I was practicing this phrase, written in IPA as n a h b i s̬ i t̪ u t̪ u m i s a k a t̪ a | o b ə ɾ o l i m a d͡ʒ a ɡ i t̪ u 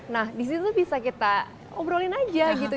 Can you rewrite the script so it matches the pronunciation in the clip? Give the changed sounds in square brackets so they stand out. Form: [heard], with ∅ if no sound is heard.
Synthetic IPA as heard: n a h [d] i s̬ i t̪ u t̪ u [b] i s a k [i] t̪ a | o b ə ɾ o l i [n] a d͡ʒ a ɡ i t̪ u